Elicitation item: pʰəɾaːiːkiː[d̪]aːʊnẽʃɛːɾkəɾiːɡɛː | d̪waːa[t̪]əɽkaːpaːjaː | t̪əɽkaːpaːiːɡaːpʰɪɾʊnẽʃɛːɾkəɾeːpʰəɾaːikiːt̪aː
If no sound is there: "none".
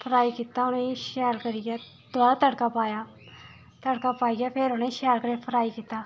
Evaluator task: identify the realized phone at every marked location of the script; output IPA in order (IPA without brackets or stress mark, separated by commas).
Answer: t̪, t̪